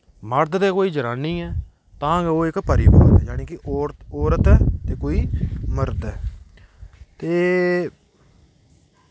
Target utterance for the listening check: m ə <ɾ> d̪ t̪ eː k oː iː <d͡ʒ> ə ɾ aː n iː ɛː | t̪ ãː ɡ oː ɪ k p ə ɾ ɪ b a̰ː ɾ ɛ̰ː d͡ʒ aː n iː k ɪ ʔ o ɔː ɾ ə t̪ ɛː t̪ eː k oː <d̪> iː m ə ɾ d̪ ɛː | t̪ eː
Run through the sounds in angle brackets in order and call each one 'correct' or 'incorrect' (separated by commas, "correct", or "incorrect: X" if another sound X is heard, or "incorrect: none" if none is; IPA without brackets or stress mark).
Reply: correct, correct, incorrect: none